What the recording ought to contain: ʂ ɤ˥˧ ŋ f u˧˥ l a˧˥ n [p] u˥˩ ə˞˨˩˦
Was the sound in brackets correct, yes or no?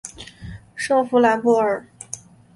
yes